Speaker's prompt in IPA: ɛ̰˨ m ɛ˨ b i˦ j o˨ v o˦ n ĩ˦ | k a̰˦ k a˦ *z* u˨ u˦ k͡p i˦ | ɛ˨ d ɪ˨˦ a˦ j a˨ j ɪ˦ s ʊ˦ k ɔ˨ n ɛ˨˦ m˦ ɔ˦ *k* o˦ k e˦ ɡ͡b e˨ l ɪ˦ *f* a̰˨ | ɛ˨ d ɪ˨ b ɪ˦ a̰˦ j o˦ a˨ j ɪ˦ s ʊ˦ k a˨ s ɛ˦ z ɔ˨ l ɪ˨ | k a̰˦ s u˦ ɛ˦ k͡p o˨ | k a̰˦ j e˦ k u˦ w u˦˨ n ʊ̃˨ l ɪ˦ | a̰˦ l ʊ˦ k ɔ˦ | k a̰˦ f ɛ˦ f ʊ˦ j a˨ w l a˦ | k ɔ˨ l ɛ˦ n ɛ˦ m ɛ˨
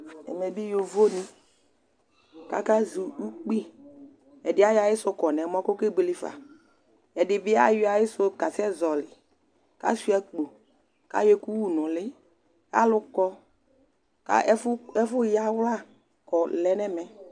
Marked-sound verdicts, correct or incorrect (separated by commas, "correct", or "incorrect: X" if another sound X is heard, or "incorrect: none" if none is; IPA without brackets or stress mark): correct, correct, correct